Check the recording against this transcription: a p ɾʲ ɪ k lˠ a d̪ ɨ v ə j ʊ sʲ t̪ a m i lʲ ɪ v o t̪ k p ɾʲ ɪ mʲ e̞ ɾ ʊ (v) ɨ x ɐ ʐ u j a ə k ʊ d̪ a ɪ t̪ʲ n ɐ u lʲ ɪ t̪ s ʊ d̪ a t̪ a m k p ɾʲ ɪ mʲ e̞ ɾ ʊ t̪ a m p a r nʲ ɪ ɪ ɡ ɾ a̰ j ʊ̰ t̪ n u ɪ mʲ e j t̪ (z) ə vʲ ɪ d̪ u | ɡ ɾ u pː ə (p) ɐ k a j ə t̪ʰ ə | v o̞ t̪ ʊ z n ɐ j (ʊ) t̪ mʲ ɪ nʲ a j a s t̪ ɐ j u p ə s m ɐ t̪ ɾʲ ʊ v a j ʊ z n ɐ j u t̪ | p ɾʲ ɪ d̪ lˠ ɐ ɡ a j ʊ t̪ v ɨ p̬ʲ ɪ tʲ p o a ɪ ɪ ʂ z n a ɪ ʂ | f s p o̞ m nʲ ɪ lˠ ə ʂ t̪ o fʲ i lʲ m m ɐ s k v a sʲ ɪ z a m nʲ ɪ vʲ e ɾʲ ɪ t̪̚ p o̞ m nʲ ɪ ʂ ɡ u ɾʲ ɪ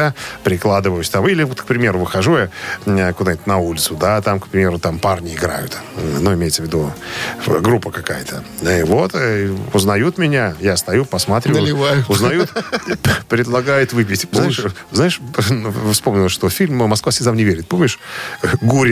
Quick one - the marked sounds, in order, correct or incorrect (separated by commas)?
correct, incorrect, incorrect, incorrect